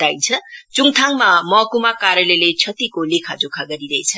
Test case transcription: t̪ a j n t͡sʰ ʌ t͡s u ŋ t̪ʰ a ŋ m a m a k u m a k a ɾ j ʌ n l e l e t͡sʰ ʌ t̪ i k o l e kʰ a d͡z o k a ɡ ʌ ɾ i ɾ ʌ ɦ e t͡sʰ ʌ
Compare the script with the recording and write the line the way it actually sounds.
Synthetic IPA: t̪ a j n t͡sʰ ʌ t͡s u ŋ t̪ʰ a ŋ m a m ʌ k u m a k a ɾ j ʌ l e l e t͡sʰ ʌ t̪ i k o l e kʰ a d͡z o kʰ a ɡ ʌ ɾ i ɾ ʌ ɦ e t͡sʰ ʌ